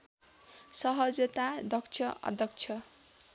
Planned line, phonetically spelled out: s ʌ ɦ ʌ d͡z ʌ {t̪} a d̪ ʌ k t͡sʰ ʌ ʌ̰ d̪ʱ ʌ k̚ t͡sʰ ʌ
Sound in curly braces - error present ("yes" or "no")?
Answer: no